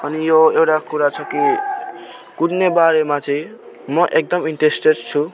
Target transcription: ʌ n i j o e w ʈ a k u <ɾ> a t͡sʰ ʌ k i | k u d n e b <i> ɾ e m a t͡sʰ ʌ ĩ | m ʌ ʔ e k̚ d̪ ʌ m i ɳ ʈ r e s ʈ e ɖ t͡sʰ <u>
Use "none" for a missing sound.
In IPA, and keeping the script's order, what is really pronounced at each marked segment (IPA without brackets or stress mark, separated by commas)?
ɾ, a, u